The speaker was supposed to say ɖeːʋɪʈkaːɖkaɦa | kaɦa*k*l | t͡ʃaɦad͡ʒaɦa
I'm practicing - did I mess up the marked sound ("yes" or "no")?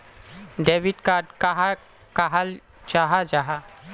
yes